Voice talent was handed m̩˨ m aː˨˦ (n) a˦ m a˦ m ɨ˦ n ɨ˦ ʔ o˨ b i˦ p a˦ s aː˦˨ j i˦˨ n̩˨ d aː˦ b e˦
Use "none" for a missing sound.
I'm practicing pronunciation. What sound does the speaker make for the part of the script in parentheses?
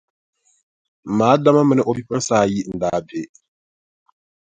d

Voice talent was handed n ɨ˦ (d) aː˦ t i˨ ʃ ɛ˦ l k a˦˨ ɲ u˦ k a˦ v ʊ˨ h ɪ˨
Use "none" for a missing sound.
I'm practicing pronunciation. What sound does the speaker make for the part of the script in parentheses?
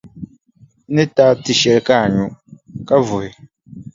t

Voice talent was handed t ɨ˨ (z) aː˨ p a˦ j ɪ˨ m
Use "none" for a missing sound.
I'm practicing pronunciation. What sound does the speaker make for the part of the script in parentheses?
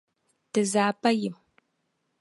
z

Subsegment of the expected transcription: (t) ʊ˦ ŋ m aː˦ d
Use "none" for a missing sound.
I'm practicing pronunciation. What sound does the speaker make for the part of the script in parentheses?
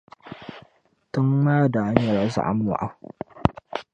t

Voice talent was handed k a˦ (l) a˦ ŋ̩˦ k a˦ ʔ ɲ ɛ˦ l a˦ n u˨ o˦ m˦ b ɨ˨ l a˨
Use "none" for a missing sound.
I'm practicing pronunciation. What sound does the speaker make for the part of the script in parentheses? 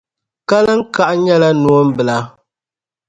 l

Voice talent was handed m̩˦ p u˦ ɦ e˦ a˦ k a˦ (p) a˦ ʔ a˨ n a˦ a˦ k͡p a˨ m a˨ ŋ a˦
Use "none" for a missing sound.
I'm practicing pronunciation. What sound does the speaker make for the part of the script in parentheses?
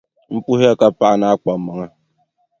p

